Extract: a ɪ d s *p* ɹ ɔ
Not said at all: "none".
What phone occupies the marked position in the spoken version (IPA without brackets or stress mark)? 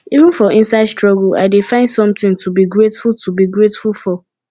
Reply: t